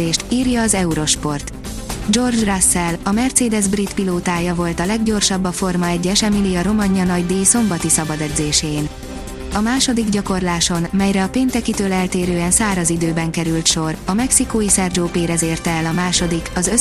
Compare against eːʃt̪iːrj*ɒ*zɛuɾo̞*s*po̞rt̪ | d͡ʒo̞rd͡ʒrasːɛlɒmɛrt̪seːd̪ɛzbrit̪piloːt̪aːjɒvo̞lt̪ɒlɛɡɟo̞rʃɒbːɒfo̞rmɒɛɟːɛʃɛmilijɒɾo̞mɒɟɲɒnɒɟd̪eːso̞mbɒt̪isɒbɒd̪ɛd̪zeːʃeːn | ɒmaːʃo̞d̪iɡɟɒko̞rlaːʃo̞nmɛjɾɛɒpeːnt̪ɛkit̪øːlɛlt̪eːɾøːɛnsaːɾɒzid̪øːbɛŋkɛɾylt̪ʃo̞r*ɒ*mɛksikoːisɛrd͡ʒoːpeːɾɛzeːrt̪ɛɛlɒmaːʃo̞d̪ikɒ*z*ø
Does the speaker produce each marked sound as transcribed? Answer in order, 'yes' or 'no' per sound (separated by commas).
no, no, yes, yes